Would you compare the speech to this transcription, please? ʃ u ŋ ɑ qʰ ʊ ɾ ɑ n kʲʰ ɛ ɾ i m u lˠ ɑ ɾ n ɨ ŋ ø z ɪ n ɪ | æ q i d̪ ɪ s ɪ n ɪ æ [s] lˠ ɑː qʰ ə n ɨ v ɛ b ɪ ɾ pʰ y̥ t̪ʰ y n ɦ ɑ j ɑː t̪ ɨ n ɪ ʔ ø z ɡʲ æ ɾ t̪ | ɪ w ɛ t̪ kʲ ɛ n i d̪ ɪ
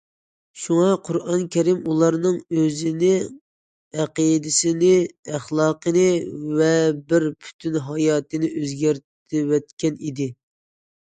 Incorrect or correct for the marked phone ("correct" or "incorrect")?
incorrect